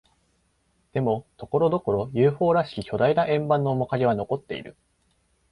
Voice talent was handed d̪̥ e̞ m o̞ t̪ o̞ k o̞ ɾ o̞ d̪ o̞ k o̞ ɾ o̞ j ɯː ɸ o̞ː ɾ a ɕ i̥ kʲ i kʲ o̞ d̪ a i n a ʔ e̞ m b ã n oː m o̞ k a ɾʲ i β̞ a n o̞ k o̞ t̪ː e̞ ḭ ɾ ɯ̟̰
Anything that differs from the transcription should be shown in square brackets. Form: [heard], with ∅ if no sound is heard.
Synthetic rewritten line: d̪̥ e̞ m o̞ t̪ o̞ k o̞ ɾ o̞ d̪ o̞ k o̞ ɾ o̞ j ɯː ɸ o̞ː ɾ a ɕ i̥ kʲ i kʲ o̞ d̪ a i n a ʔ [ẽ̞] m b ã [nː] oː m o̞ k a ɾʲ i β̞ a n o̞ k o̞ t̪ː e̞ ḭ ɾ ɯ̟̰